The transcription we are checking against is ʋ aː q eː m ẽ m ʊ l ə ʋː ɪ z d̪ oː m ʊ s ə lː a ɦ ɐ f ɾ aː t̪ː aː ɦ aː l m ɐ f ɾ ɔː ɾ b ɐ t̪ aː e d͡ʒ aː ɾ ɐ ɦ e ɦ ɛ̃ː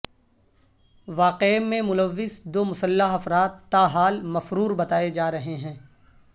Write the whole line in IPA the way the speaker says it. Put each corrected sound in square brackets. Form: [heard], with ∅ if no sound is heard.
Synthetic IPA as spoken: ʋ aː q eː m ẽ m ʊ l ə ʋː ɪ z d̪ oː m ʊ s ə lː a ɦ ɐ f ɾ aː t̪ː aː ɦ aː l m ɐ f ɾ [uː] ɾ b ɐ t̪ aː e d͡ʒ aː ɾ ɐ ɦ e ɦ ɛ̃ː

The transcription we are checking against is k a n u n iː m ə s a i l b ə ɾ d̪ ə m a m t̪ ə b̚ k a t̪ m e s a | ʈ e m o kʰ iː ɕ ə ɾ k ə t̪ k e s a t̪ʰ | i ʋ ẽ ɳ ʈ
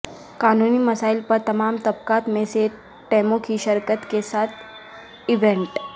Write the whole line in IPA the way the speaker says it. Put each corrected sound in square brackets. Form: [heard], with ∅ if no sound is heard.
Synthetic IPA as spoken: k a n u n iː m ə s a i l [p] ə ɾ [t̪] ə m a m t̪ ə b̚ k a t̪ m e s [e] | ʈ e m o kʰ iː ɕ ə ɾ k ə t̪ k e s a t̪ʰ | i ʋ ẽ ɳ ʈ

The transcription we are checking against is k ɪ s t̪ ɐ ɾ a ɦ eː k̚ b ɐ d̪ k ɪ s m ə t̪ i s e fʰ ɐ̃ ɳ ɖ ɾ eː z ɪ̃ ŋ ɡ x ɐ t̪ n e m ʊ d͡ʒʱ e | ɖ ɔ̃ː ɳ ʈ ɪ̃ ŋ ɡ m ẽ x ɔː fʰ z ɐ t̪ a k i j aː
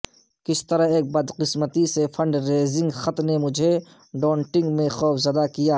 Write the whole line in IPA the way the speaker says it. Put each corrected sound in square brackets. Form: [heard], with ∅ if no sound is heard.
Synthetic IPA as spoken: k ɪ s t̪ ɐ ɾ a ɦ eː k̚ b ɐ d̪ [q] ɪ s m ə t̪ i s e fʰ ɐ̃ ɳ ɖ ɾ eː z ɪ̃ ŋ ɡ x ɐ t̪ n e m ʊ d͡ʒʱ e | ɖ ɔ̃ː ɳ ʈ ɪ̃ ŋ ɡ m ẽ x ɔː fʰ z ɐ [d̪] a k i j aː

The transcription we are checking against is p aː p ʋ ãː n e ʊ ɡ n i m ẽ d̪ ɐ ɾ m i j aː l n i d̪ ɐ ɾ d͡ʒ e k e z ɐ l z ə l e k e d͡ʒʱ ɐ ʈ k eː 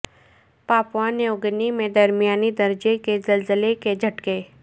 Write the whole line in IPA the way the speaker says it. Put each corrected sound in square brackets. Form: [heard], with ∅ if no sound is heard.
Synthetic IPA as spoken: p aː p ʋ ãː n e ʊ ɡ n i m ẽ d̪ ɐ ɾ m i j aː [∅] n i d̪ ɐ ɾ d͡ʒ e k e z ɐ l z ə l e k e d͡ʒʱ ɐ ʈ k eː

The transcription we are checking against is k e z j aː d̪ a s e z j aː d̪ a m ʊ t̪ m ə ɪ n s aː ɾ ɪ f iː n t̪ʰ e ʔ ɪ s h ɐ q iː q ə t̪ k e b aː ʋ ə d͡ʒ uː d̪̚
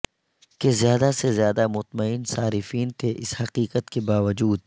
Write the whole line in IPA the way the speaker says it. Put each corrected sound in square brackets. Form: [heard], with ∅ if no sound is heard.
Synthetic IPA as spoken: k e z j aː d̪ a s e z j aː d̪ a m ʊ t̪ m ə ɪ n s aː ɾ ɪ f iː n t̪ʰ e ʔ ɪ s h ɐ q iː q ə t̪ k e b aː ʋ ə d͡ʒ uː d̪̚

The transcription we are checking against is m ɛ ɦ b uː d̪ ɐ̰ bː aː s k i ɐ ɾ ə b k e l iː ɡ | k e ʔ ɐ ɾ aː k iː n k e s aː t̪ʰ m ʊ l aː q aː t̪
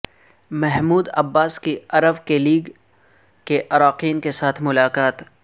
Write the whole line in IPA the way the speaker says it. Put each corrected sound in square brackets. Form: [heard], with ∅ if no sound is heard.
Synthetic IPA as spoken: m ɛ ɦ [m] uː d̪ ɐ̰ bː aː s k i ɐ ɾ ə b k e l iː ɡ | k e ʔ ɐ ɾ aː [q] iː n k e s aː t̪ʰ m ʊ l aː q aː t̪

